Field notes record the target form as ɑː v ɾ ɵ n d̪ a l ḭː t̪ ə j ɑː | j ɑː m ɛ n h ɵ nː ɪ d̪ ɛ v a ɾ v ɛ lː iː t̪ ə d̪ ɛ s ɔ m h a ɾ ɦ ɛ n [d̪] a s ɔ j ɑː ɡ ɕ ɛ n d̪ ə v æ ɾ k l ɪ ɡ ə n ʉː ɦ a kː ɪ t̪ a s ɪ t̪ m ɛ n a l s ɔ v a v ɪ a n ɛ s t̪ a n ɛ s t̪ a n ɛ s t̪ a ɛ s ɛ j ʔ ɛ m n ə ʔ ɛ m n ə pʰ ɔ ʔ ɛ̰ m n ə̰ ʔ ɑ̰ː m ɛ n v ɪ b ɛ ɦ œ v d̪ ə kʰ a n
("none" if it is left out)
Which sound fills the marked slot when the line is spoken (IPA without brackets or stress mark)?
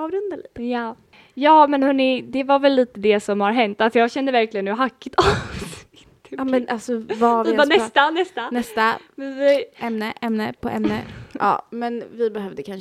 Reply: t̪